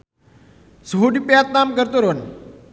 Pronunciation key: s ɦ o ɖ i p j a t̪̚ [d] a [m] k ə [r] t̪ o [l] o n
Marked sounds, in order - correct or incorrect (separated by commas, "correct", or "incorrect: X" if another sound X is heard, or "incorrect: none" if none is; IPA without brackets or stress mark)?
incorrect: n, correct, incorrect: ɾ, incorrect: ɾ